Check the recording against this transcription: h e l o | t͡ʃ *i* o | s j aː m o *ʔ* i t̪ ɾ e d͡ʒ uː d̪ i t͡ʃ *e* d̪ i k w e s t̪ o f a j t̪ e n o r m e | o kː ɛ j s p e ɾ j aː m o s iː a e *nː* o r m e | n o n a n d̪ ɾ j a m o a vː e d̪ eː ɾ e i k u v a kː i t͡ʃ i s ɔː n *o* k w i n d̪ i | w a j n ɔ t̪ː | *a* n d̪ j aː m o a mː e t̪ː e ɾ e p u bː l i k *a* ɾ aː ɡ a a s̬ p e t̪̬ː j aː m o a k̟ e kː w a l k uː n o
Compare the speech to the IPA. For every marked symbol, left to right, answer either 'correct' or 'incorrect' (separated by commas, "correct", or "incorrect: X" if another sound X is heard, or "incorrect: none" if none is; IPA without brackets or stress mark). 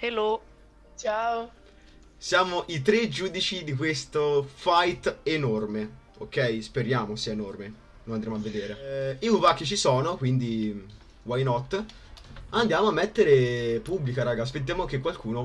incorrect: a, correct, incorrect: i, incorrect: n, correct, correct, correct